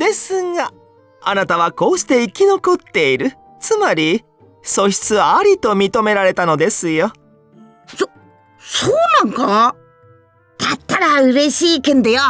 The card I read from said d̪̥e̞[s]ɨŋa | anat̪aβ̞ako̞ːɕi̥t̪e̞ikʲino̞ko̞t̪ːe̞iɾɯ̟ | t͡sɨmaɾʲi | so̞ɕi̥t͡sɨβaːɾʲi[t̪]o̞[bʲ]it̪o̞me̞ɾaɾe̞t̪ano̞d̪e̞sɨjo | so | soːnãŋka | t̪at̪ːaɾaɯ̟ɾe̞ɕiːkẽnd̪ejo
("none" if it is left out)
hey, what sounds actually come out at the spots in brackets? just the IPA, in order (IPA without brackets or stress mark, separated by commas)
s, t̪, mʲ